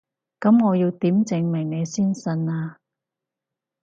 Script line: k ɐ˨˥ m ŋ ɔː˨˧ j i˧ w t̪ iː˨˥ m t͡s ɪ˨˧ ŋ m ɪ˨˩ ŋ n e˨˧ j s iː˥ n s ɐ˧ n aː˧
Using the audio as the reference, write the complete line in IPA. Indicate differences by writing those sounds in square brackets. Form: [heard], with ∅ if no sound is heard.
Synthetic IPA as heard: k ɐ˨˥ m ŋ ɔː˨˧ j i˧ w t̪ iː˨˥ m t͡s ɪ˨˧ ŋ m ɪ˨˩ ŋ n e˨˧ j s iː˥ n s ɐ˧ n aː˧